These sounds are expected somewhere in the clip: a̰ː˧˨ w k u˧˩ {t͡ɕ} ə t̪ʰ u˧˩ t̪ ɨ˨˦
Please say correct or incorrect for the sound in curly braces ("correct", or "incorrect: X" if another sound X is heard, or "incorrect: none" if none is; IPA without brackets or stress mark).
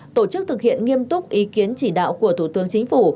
incorrect: none